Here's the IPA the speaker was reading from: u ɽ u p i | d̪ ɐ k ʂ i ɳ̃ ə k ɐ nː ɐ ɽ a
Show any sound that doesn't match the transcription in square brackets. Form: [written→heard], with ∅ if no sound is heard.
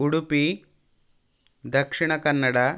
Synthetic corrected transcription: u ɽ u p i | d̪ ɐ k ʂ i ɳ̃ [ə→ɐ] k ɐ nː ɐ ɽ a